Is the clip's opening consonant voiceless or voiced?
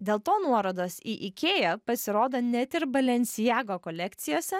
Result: voiced